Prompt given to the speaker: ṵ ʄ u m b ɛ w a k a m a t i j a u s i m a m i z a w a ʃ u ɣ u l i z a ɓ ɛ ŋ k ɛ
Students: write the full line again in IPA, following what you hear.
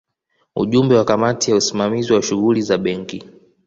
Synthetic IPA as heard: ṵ ʄ u m b ɛ w a k a m a t i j a u s i m a m i z i w a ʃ u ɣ u l i z a ɓ ɛ ŋ k i